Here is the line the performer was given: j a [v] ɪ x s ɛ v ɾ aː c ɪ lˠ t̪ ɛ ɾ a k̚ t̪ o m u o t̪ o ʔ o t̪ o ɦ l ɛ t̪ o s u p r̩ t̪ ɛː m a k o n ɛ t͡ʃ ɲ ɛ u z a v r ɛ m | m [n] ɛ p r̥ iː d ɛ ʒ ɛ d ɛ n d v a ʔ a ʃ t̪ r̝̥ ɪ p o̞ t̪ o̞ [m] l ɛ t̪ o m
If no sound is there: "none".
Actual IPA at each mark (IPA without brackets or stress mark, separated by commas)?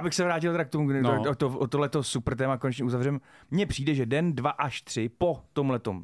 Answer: b, ɲ, m